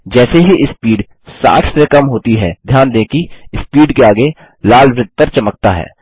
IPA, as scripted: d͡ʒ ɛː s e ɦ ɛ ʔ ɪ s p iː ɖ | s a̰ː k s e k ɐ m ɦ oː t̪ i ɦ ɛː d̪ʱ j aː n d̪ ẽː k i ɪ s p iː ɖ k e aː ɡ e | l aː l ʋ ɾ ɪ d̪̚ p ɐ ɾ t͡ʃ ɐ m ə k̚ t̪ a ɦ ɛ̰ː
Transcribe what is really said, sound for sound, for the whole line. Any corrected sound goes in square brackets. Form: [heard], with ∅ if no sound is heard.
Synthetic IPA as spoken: d͡ʒ ɛː s e ɦ [i] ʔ ɪ s p iː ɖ | s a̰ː k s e k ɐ m ɦ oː t̪ i ɦ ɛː d̪ʱ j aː n d̪ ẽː k i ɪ s p iː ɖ k e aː ɡ e | l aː l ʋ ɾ ɪ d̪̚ p ɐ ɾ t͡ʃ ɐ m ə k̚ t̪ a ɦ ɛ̰ː